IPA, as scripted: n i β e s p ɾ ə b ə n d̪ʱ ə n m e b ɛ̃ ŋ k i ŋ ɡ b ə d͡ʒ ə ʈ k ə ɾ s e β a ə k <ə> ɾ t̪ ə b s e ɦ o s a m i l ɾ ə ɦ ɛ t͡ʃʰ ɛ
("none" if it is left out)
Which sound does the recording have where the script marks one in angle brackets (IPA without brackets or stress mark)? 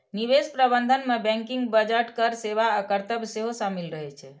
ə